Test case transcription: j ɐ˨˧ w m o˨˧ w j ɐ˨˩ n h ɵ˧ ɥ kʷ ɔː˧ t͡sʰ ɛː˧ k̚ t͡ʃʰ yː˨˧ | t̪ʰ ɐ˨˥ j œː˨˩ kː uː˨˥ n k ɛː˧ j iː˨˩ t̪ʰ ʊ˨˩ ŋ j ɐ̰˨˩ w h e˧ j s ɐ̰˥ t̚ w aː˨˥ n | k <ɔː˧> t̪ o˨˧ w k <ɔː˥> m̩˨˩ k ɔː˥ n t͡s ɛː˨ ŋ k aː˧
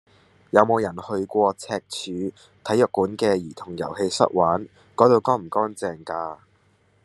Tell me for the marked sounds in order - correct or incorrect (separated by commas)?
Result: incorrect, correct